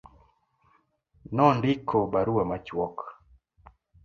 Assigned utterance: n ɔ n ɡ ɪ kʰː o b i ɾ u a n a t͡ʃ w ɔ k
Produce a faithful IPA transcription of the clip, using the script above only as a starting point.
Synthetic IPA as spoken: n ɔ n d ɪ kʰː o b a ɾ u a m a t͡ʃ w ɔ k